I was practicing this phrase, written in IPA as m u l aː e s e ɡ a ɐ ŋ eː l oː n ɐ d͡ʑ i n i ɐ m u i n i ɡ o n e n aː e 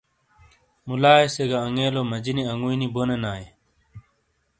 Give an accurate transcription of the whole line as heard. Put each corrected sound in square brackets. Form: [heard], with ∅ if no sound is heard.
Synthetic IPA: m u l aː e s e ɡ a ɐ ŋ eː l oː [m] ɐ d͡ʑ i n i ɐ [ŋ] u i n i [b] o n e n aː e